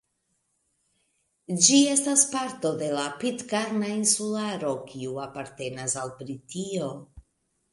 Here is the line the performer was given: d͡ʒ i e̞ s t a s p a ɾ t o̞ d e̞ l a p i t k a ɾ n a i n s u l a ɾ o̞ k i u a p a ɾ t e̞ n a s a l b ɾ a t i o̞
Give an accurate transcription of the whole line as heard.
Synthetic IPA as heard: d͡ʒ i e̞ s t a s p a ɾ t o̞ d e̞ l a p i t k a ɾ n a i n s u l a ɾ o̞ k i u a p a ɾ t e̞ n a s a l b ɾ i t i o̞